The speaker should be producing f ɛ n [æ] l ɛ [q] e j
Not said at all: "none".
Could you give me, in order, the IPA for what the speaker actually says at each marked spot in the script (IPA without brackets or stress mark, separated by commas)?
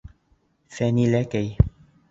i, k